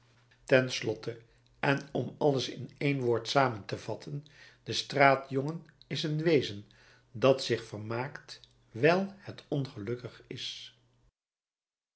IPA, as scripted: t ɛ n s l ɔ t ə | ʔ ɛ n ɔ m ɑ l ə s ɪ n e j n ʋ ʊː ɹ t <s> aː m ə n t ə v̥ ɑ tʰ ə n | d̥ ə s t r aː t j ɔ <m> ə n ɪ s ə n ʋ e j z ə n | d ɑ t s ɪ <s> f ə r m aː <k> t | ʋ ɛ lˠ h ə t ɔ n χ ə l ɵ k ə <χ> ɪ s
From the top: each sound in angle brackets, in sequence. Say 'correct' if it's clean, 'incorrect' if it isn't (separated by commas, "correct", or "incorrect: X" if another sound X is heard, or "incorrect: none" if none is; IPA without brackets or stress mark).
correct, incorrect: ŋ, incorrect: χ, correct, correct